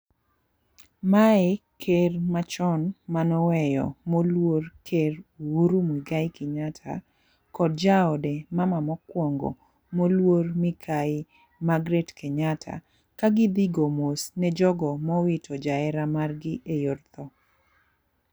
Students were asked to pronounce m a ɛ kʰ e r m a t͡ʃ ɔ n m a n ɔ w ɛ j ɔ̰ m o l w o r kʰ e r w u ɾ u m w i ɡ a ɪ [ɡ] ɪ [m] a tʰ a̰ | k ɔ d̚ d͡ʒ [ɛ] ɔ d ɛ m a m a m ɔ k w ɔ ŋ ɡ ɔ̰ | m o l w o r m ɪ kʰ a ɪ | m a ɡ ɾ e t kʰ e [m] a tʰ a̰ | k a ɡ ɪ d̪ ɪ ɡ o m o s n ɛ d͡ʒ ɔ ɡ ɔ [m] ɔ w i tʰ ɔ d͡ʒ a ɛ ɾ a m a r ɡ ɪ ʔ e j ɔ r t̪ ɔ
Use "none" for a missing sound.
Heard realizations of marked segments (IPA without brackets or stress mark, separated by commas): k, ɲ, a, ɲ, m